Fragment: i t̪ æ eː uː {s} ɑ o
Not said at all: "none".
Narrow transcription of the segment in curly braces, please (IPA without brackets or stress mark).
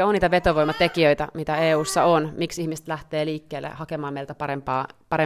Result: sː